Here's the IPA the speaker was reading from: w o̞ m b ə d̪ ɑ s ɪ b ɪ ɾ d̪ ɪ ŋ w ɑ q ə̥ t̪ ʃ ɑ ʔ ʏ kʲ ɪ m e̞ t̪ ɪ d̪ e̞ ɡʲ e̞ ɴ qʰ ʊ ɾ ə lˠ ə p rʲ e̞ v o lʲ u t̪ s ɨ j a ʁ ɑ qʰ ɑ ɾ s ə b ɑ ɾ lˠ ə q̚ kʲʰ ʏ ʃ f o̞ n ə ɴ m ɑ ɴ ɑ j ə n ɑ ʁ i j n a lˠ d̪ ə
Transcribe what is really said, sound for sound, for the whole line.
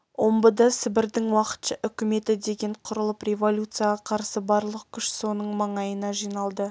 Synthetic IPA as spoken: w o̞ m b ə d̪ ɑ s ɪ b ɪ ɾ d̪ ɪ ŋ w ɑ q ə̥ t̪ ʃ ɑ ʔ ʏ kʲ ɪ m e̞ t̪ ɪ d̪ e̞ ɡʲ e̞ ɴ qʰ ʊ ɾ ə lˠ ə p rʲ e̞ v o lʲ u t̪ s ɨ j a ʁ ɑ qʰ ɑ ɾ s ə b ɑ ɾ lˠ ə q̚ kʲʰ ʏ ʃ s o̞ n ə ɴ m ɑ ɴ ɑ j ə n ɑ ʒ i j n ɑ lˠ d̪ ə